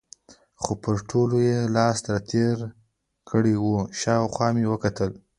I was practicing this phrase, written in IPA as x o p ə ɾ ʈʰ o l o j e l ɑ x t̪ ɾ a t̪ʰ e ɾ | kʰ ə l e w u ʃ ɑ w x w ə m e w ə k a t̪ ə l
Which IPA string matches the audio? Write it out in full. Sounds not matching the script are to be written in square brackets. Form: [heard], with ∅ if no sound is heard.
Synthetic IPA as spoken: x o p ə ɾ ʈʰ o l o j e l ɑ [s] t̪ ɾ a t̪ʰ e ɾ | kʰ ə [ɽ] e w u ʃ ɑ w x w [ɑ] m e w ə k a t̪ ə l